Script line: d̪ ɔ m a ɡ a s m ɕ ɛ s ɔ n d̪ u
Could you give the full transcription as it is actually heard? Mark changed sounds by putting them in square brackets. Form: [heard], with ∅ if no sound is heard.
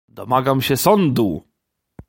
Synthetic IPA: d̪ ɔ m a ɡ a [∅] m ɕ ɛ s ɔ n d̪ u